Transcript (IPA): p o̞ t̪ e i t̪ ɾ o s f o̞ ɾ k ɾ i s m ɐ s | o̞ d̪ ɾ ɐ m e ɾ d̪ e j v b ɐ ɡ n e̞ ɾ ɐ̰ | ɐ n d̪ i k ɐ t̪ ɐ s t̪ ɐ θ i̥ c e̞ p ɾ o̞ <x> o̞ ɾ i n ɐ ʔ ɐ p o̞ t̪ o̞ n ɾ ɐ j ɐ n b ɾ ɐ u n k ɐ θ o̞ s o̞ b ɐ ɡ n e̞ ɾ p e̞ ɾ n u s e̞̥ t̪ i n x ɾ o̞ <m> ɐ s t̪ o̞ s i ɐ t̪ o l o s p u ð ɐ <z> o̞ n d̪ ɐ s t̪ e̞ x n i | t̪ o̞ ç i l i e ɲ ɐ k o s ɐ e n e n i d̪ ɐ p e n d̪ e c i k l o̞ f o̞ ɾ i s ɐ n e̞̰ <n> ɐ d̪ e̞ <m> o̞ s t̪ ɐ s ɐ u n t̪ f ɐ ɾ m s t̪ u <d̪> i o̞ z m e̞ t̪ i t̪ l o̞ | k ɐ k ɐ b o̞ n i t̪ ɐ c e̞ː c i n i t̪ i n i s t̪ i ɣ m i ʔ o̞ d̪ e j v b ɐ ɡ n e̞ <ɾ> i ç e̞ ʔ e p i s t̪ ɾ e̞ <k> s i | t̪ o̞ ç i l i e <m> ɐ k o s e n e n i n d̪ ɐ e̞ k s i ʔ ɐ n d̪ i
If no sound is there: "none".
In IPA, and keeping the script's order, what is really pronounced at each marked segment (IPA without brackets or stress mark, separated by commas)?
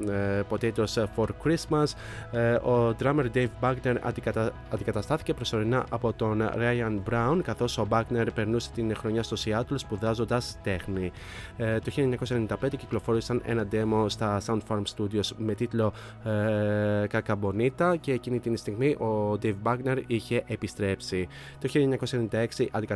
s, ɲ, z, n, m, d̪, ɾ, p, ɲ